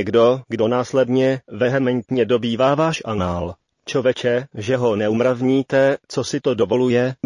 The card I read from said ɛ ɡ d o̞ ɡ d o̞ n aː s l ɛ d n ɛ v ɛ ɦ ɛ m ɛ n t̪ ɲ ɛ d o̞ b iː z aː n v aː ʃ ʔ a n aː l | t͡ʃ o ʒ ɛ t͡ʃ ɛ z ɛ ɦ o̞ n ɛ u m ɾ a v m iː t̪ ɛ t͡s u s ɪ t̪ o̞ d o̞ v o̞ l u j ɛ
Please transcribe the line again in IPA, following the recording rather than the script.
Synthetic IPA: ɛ ɡ d o̞ ɡ d o̞ n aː s l ɛ d ɲ ɛ v ɛ ɦ ɛ m ɛ n t̪ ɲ ɛ d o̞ b iː v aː v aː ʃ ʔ a n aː l | t͡ʃ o v ɛ t͡ʃ ɛ ʒ ɛ ɦ o̞ n ɛ u m ɾ a v ɲ iː t̪ ɛ t͡s o s ɪ t̪ o̞ d o̞ v o̞ l u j ɛ